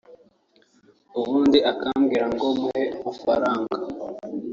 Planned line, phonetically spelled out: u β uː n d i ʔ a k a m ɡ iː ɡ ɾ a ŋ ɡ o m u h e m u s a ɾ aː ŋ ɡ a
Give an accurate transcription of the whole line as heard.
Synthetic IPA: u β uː n d i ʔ a k a m ɡ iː ɾ a ŋ ɡ o m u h e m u f a ɾ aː ŋ ɡ a